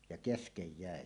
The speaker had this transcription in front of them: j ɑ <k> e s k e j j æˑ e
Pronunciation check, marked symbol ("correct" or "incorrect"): correct